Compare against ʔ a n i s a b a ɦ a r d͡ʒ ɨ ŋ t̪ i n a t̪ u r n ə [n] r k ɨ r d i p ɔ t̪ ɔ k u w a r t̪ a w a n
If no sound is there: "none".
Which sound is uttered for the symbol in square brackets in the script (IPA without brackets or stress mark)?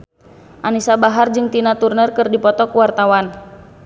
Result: none